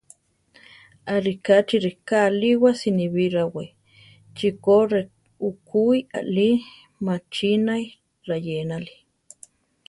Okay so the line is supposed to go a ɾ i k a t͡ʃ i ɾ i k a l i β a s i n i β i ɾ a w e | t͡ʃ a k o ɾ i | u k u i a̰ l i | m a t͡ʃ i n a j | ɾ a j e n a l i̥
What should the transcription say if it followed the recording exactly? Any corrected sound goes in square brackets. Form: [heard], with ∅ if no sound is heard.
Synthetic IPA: a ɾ i k a t͡ʃ i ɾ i k a l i [w] a s i n i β i ɾ a w e | t͡ʃ [i] k o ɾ [e] | u k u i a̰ l i | m a t͡ʃ i n a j | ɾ a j e n a l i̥